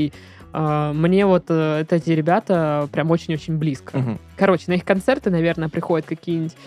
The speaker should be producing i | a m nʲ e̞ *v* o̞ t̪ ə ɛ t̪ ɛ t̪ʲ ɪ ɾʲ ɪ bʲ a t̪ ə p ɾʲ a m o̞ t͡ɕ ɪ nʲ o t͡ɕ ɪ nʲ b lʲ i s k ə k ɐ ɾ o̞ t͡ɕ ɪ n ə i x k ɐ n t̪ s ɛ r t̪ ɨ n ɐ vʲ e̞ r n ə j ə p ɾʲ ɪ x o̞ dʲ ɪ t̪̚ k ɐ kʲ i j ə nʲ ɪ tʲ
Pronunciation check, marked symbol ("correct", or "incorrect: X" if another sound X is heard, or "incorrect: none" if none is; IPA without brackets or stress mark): correct